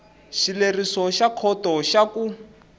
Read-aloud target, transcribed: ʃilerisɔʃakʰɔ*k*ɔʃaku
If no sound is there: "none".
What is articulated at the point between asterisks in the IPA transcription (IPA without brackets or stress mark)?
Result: t